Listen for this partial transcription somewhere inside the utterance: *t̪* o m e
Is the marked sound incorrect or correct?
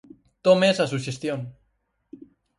correct